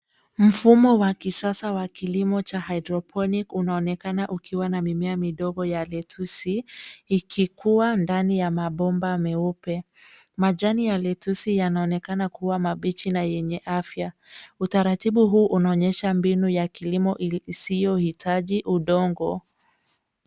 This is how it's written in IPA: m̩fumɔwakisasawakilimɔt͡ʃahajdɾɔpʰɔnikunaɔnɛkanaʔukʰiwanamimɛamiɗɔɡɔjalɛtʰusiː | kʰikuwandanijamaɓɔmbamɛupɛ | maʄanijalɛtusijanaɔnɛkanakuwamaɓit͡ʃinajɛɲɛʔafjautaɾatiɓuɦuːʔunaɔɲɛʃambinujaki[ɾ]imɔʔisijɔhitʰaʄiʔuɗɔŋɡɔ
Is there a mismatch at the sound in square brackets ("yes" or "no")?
yes